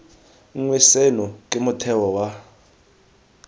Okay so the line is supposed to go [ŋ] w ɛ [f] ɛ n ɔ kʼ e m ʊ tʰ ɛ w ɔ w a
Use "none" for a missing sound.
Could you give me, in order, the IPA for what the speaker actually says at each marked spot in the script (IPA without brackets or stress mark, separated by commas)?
ŋ, s